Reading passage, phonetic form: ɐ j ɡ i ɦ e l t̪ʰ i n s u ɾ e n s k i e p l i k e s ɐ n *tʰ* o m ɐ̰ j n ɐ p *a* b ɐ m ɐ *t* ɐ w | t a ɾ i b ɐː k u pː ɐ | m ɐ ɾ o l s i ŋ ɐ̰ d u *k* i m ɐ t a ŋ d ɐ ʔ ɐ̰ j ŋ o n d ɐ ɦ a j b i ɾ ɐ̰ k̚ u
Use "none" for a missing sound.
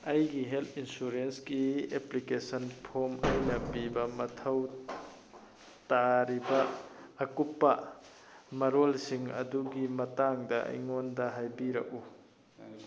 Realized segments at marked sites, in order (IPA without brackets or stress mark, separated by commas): pʰ, i, tʰ, ɡ